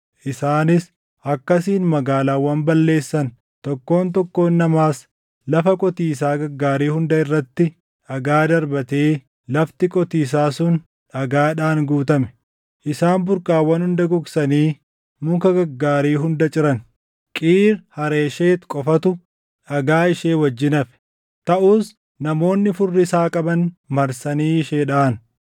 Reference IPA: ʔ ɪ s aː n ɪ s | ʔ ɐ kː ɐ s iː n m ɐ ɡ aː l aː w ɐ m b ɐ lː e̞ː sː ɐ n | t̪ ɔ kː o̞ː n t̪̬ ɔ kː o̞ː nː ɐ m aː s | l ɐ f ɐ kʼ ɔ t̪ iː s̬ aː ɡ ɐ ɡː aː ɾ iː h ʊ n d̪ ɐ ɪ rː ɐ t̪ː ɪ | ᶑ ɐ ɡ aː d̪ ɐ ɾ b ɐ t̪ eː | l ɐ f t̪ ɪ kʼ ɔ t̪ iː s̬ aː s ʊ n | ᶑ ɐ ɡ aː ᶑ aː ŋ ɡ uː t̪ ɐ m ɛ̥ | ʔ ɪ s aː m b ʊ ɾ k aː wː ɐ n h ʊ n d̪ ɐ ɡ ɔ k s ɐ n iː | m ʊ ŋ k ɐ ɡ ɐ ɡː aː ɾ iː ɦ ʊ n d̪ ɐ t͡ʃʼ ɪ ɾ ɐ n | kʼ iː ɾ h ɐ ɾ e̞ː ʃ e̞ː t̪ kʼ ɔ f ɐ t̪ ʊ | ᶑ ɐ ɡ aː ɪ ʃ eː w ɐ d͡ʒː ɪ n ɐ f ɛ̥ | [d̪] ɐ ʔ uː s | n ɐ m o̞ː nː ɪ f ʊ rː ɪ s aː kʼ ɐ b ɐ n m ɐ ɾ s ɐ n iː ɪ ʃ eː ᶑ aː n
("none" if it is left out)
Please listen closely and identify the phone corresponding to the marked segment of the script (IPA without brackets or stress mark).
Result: t̪